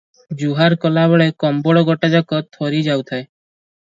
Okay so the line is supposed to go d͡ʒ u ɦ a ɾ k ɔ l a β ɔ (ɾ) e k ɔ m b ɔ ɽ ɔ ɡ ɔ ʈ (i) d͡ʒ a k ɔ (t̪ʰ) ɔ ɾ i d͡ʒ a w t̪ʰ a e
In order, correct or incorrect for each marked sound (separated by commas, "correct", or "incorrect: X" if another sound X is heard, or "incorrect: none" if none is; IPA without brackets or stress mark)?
incorrect: ɭ, incorrect: a, correct